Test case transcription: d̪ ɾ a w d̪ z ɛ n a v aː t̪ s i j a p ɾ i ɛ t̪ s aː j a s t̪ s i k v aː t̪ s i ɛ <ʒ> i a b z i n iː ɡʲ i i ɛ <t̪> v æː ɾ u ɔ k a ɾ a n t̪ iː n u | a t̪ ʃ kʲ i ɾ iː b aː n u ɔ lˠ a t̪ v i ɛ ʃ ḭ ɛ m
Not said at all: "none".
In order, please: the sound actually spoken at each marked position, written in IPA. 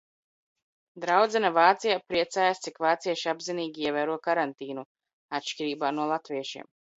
ʃ, none

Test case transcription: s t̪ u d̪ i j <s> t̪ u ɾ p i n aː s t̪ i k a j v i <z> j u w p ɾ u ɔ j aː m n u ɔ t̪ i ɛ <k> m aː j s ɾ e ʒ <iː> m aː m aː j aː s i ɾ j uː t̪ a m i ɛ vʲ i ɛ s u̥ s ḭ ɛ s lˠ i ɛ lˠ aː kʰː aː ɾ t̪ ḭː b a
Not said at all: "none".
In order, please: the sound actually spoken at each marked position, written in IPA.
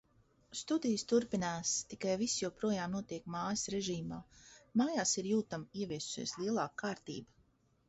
s, s, k, iː

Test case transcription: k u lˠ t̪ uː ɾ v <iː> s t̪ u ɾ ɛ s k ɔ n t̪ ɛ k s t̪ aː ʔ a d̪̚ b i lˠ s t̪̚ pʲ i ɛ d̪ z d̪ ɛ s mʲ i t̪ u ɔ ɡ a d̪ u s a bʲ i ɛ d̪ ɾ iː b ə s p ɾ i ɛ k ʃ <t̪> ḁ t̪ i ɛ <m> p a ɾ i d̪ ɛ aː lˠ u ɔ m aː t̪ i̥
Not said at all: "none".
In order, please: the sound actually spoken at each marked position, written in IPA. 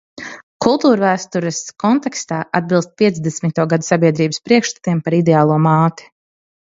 æː, t̪, m

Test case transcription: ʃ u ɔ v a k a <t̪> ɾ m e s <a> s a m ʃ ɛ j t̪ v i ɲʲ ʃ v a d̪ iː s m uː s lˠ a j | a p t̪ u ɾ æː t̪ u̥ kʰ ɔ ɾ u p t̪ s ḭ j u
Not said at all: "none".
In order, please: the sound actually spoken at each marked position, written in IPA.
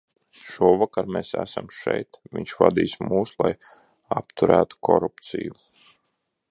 none, æ

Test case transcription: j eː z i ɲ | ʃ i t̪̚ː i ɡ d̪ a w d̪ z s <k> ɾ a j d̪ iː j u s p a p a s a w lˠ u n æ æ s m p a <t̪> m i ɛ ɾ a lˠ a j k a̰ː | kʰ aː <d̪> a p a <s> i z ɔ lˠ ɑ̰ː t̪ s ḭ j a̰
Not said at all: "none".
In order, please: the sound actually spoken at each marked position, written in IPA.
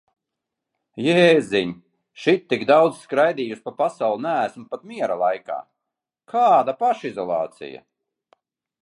k, t̪, d̪, ʃ

